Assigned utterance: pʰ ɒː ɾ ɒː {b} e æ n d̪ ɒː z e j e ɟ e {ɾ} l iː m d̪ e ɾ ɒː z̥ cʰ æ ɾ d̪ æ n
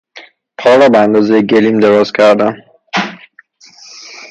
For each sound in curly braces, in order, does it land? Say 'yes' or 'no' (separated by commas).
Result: yes, no